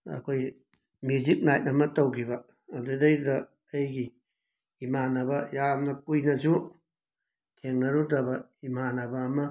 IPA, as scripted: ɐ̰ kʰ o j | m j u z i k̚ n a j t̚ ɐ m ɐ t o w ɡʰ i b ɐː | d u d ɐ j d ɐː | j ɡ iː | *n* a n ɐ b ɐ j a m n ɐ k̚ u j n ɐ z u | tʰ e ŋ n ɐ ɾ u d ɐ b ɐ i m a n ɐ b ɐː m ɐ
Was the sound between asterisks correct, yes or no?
no